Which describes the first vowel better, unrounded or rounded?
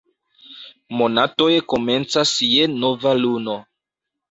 rounded